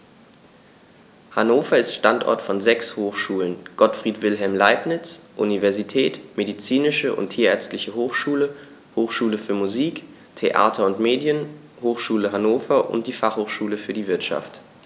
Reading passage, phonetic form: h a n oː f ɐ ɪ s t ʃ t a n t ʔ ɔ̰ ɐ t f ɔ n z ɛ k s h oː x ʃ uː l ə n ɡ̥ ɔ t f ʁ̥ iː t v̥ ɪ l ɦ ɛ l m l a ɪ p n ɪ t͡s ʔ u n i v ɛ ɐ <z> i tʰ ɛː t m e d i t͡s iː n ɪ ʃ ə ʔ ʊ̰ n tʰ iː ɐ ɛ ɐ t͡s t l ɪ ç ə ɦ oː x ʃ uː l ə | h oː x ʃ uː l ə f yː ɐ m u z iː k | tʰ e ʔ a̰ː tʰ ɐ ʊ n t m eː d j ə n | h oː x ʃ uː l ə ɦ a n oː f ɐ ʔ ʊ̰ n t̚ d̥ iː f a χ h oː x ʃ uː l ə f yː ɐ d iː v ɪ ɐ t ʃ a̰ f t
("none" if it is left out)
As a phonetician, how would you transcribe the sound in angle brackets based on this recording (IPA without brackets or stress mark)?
z